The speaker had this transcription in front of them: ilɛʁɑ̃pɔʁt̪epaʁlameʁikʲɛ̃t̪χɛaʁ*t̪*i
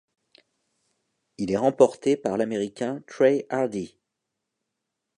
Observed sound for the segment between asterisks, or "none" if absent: d̪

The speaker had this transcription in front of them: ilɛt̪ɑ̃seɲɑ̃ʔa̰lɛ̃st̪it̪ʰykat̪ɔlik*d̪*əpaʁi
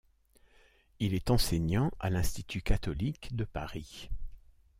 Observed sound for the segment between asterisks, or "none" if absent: d̪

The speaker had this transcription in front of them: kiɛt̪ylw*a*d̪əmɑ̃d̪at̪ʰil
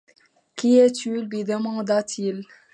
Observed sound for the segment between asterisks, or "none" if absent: i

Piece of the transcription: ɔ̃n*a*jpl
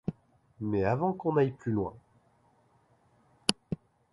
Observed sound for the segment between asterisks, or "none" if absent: a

